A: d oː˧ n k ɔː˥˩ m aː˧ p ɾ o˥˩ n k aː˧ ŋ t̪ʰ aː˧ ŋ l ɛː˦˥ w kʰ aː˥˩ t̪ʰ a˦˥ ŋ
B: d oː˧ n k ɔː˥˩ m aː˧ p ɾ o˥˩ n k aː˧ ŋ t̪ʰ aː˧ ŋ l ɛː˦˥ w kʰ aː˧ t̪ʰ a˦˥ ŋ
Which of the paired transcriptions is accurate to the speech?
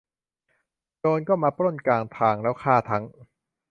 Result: A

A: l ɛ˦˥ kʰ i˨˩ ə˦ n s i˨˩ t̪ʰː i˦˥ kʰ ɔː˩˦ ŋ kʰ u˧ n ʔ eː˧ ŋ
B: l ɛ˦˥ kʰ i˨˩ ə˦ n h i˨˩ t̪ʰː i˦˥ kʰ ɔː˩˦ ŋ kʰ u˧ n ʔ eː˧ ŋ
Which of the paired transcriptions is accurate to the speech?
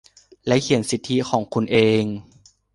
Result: A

